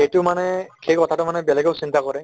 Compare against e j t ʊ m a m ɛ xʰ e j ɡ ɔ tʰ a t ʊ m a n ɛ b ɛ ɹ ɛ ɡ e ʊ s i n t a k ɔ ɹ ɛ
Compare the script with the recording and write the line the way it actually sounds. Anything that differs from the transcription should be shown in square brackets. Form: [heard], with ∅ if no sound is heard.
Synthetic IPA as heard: e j t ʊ m a [n] ɛ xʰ e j [k] ɔ tʰ a t ʊ m a n ɛ b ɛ [l] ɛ ɡ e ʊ s i n t a k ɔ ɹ ɛ